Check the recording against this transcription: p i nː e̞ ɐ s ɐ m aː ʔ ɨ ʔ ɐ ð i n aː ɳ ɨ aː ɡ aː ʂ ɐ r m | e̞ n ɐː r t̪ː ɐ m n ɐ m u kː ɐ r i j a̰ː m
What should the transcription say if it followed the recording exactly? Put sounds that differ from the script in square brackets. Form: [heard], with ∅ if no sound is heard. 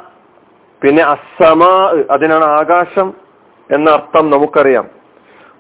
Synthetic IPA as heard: p i nː e̞ ɐ s ɐ m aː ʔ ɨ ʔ ɐ ð i n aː ɳ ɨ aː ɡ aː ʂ ɐ [∅] m | e̞ [nː] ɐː r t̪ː ɐ m n ɐ m u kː ɐ r i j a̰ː m